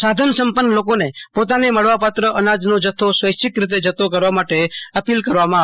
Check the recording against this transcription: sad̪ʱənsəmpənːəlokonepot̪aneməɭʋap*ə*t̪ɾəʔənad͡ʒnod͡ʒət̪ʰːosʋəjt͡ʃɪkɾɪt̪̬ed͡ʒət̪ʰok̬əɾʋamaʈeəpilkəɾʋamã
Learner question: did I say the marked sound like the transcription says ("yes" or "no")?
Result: no